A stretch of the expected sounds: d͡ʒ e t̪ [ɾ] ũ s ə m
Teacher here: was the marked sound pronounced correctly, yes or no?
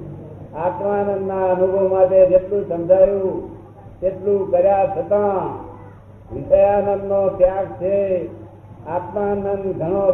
no